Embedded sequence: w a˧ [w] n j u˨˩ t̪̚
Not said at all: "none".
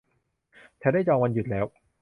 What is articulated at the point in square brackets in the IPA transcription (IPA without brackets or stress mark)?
none